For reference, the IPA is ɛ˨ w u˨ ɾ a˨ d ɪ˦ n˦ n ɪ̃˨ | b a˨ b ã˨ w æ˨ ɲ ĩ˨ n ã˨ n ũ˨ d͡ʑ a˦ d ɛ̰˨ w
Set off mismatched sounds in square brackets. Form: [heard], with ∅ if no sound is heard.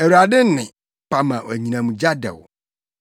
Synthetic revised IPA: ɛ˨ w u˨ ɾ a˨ d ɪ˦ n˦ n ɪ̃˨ | [p] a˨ [m] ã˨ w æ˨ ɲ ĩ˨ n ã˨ [m] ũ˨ d͡ʑ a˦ d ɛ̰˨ w

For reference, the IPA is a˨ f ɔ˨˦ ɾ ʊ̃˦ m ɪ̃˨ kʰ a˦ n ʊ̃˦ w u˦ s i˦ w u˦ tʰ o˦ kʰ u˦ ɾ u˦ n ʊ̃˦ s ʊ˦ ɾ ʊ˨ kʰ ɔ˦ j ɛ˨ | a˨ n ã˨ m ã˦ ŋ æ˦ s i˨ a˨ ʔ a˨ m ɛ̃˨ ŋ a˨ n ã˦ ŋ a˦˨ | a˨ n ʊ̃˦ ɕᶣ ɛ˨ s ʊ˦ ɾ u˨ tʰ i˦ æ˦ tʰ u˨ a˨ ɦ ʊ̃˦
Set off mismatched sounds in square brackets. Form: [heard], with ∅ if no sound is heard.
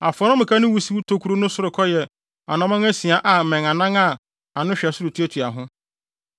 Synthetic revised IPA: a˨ f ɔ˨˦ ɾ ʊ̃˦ m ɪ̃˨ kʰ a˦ n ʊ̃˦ w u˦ s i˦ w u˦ tʰ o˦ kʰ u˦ ɾ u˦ n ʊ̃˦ s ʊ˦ ɾ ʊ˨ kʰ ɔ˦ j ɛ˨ | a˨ n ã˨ m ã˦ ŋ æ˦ s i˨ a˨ ʔ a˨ m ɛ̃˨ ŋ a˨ n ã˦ ŋ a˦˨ | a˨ n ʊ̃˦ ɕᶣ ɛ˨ s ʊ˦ ɾ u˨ tʰ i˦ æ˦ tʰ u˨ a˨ ɦ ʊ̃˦

